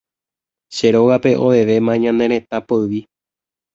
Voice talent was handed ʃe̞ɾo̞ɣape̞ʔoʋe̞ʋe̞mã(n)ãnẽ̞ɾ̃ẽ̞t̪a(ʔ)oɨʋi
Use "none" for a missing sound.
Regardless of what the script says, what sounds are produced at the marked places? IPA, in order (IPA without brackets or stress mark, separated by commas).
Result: ɲ, p